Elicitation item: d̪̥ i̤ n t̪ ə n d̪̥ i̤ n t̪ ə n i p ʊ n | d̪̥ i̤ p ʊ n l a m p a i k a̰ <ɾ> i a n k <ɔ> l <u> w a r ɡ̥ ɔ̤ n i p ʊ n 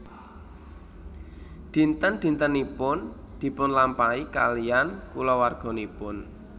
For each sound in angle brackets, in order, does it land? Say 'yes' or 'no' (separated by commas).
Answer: no, no, no